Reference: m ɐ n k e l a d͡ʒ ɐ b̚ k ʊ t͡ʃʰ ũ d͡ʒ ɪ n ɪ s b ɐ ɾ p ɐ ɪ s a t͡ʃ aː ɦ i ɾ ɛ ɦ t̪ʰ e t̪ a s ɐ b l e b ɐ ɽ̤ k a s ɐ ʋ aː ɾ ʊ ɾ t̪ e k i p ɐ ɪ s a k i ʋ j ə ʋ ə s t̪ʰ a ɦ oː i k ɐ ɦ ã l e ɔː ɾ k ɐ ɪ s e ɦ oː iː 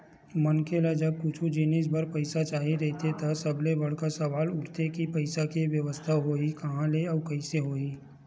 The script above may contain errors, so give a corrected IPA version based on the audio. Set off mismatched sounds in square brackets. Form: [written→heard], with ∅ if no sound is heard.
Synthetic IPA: m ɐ n k e l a d͡ʒ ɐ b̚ k ʊ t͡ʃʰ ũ d͡ʒ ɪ n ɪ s b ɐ ɾ p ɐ ɪ s a t͡ʃ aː ɦ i ɾ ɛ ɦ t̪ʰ e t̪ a s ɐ b l e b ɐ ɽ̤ k a s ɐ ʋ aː [ɾ→l] ʊ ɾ t̪ e k i p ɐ ɪ s a k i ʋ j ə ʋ ə s t̪ʰ a ɦ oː i k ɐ ɦ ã l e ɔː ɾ k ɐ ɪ s e ɦ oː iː